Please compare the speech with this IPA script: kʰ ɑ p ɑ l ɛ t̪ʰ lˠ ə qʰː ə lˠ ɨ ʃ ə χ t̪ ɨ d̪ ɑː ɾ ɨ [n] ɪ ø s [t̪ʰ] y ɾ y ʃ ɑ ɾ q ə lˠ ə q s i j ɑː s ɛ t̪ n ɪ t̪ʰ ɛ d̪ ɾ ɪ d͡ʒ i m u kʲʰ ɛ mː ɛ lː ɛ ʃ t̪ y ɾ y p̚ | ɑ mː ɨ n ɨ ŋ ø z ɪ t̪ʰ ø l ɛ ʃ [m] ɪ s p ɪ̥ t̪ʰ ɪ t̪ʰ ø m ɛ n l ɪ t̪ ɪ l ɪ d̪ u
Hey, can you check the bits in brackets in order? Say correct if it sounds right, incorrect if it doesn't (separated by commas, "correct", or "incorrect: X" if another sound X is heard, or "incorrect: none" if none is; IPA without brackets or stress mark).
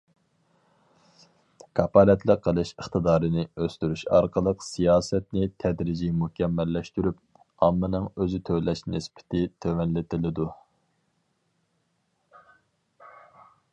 correct, incorrect: t̪, incorrect: n